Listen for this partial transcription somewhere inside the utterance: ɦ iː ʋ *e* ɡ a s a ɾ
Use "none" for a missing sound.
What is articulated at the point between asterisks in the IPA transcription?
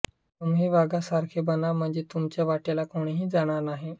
a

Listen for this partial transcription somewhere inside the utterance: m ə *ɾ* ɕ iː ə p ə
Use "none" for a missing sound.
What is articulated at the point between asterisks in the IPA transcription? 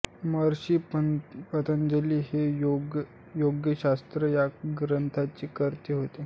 ɾ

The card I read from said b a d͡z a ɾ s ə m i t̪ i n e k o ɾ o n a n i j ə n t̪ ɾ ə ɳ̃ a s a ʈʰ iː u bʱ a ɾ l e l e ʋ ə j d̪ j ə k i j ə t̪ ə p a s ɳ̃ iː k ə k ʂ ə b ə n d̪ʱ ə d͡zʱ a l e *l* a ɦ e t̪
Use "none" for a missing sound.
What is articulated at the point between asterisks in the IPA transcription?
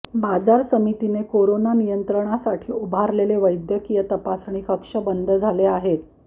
none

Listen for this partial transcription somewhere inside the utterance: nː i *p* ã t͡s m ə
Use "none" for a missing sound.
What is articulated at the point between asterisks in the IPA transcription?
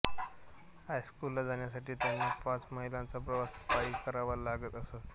p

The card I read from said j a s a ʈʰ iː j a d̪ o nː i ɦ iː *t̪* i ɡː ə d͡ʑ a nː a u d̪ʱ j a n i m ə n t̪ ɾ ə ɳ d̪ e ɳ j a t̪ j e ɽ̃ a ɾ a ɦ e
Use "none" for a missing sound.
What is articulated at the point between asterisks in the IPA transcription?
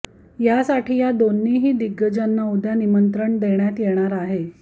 d̪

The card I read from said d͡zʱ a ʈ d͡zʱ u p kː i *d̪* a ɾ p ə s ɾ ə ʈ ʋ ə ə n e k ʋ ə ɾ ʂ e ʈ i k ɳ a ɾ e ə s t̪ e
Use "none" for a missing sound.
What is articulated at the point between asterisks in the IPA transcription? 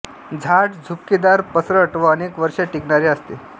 d̪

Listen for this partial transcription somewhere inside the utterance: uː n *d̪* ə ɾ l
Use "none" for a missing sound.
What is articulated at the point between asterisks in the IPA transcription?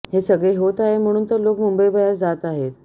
t̪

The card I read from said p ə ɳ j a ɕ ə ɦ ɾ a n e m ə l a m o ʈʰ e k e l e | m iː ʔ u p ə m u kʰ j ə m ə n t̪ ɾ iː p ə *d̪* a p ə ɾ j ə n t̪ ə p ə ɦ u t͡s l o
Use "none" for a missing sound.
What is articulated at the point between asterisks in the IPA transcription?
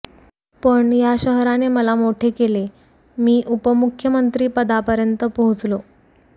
d̪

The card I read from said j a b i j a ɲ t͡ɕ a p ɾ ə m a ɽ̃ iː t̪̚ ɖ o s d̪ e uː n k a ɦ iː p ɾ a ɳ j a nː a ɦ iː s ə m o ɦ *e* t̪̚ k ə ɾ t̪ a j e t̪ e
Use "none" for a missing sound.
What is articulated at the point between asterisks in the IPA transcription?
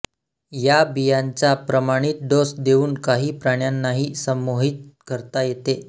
i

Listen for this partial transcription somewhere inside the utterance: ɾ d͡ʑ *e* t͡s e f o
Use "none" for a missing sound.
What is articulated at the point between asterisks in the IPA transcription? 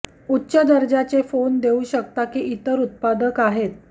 a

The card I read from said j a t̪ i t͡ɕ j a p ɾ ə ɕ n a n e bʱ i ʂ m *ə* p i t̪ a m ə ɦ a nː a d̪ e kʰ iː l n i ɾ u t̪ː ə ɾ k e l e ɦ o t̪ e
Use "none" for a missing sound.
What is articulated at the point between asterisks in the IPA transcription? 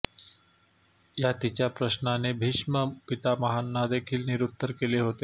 ə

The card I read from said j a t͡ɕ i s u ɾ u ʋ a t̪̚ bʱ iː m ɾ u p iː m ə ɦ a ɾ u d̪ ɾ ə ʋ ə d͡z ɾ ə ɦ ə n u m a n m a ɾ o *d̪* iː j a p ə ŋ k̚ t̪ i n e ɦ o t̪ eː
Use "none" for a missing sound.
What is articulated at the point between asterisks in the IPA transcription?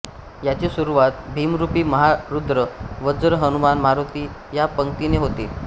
t̪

